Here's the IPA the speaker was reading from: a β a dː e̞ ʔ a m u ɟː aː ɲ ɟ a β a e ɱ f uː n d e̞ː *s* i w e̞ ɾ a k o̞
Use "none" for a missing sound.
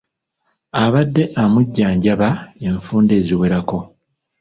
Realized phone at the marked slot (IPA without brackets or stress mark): z